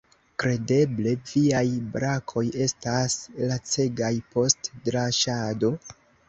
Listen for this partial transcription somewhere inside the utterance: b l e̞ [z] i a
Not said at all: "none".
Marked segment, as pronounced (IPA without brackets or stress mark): v